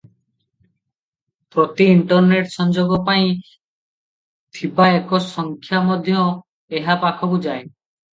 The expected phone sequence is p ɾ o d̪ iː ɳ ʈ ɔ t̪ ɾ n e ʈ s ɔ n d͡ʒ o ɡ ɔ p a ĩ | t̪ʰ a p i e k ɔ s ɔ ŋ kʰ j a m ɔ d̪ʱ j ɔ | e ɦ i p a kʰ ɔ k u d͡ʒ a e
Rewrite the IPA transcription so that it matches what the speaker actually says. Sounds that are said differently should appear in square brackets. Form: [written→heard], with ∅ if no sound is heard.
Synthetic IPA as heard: p ɾ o [d̪→t̪] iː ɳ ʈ ɔ [t̪→∅] ɾ n e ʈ s ɔ n d͡ʒ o ɡ ɔ p a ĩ | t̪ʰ [a→i] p [i→a] e k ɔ s ɔ ŋ kʰ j a m ɔ d̪ʱ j ɔ | e ɦ [i→a] p a kʰ ɔ k u d͡ʒ a e